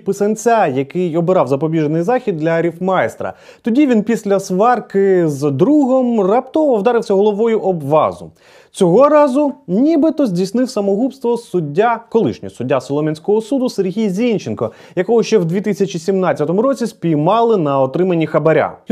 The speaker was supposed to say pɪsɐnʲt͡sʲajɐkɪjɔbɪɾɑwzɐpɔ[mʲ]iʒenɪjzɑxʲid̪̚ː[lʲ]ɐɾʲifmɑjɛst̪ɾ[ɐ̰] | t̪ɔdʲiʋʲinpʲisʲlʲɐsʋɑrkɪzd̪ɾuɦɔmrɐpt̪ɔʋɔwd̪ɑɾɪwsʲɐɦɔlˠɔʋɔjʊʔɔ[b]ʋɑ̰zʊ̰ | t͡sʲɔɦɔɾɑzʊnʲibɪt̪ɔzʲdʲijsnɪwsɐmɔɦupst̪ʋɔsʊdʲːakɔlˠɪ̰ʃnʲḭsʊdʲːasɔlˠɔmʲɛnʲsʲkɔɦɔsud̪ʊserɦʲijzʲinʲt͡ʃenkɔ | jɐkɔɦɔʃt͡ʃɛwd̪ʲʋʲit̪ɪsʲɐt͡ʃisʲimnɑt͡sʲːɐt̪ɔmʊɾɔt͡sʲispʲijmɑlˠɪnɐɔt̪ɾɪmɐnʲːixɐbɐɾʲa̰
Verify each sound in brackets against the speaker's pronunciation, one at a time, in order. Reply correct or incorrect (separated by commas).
incorrect, correct, correct, correct